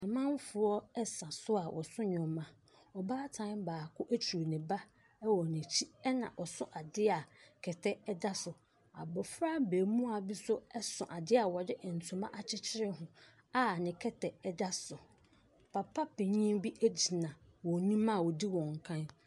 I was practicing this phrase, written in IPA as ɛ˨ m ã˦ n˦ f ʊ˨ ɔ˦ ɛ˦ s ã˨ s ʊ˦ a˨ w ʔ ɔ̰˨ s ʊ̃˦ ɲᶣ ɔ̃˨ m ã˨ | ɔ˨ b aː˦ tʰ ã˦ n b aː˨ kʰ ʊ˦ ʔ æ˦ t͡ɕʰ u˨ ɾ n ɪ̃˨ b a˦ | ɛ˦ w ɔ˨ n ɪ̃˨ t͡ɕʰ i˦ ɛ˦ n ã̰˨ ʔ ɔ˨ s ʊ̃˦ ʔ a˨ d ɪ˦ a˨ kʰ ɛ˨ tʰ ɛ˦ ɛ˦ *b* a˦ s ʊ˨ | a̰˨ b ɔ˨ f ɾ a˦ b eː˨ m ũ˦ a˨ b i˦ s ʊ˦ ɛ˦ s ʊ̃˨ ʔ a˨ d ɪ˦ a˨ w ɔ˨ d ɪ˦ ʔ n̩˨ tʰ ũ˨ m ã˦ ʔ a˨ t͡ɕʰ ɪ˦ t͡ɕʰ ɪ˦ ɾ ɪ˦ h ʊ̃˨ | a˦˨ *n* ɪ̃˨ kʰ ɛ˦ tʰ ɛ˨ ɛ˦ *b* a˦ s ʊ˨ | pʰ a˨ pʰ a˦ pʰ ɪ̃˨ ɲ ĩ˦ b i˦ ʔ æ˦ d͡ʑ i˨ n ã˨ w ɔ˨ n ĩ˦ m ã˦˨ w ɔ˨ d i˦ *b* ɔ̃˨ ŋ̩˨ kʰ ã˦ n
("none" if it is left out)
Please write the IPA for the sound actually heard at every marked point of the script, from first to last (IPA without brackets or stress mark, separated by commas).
d, n, d, w